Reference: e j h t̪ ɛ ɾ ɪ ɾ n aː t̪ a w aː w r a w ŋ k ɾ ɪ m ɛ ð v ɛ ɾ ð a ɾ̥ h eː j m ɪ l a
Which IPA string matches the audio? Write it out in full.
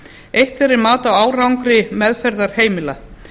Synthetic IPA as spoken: e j h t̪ ɛ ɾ ɪ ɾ m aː t̪ a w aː w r a w ŋ k ɾ ɪ m ɛ ð f ɛ ɾ ð a ɾ̥ h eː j m ɪ l a